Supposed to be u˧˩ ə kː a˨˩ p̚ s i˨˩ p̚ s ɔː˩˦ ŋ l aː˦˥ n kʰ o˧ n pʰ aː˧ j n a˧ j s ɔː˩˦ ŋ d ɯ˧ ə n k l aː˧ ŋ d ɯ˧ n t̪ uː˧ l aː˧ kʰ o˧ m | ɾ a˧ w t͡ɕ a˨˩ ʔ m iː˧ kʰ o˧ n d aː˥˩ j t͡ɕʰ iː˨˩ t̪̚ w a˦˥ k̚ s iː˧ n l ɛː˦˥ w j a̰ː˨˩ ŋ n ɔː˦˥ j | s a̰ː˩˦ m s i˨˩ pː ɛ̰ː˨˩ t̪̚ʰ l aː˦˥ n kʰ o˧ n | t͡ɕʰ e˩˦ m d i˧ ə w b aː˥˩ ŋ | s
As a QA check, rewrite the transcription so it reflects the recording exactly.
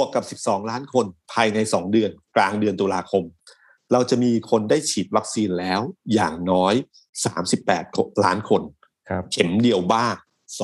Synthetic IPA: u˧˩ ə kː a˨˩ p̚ s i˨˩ p̚ s ɔː˩˦ ŋ l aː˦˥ n kʰ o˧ n pʰ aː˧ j n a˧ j s ɔː˩˦ ŋ d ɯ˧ ə n k l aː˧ ŋ d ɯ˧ n t̪ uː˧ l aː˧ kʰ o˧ m | ɾ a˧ w t͡ɕ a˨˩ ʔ m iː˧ kʰ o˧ n d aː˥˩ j t͡ɕʰ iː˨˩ t̪̚ w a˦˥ k̚ s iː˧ n l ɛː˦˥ w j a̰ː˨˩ ŋ n ɔː˦˥ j | s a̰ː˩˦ m s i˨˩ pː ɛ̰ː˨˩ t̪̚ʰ l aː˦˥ n kʰ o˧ n | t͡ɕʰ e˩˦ m d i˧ ə w b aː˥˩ ŋ | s